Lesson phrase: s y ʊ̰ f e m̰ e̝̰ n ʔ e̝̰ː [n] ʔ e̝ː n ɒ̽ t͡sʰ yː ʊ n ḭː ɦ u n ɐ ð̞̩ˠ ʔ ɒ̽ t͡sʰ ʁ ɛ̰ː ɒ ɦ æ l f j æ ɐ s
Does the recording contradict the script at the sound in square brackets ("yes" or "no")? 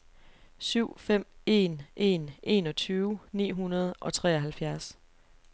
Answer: no